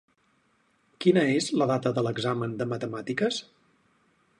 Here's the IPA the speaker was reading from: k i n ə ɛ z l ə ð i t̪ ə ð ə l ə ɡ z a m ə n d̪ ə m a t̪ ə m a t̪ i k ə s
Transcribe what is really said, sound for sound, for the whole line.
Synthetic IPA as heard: k i n ə e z l ə ð a t̪ ə ð ə l ə ɡ z a m ə n d̪ ə m ə t̪ ə m a t̪ i k ə s